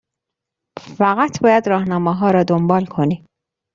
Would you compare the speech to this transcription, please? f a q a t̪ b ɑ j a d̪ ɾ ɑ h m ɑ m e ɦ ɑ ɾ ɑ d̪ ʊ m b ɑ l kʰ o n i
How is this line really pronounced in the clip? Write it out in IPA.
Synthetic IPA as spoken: f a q a t̪ b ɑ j a d̪ ɾ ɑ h n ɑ m a ɦ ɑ ɾ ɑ d̪ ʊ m b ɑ l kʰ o n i